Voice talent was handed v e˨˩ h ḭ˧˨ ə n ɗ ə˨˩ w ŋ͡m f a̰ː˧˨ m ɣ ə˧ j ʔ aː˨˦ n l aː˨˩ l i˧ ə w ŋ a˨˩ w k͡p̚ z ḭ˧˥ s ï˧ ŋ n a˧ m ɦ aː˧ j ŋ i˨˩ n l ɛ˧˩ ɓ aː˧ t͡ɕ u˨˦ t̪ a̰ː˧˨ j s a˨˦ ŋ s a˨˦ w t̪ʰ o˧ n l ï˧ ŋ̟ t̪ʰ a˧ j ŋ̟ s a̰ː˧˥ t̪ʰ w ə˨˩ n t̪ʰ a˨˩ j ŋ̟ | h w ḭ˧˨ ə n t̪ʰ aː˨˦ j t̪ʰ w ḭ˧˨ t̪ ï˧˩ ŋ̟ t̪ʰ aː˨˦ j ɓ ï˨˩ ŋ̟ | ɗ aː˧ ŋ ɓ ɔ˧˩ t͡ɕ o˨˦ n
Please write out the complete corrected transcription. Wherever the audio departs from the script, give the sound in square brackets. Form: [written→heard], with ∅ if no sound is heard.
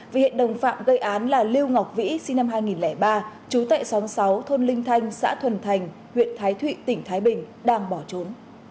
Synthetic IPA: v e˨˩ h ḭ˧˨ ə n ɗ ə˨˩ w ŋ͡m f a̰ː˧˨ m ɣ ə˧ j ʔ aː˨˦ n l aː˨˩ l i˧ ə w ŋ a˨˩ w k͡p̚ [z→v] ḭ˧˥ s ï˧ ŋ n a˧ m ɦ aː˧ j ŋ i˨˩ n l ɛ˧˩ ɓ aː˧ t͡ɕ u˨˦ t̪ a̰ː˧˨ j s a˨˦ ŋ s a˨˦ w t̪ʰ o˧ n l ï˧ ŋ̟ t̪ʰ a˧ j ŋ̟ s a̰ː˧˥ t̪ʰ w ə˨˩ n t̪ʰ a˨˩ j ŋ̟ | h w ḭ˧˨ ə n t̪ʰ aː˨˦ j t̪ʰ w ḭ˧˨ t̪ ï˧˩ ŋ̟ t̪ʰ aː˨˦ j ɓ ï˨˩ ŋ̟ | ɗ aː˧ ŋ ɓ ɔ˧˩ t͡ɕ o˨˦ n